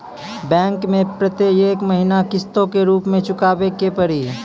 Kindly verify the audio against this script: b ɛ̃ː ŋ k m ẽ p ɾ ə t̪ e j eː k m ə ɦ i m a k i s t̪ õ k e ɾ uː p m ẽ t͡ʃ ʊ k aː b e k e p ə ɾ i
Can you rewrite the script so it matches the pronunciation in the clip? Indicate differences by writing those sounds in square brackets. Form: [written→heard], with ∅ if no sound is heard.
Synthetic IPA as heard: b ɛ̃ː ŋ k m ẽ p ɾ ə t̪ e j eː k m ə ɦ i [m→n] a k [i→ɪ] s t̪ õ k e ɾ uː p m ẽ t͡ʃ ʊ k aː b e k e p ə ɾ i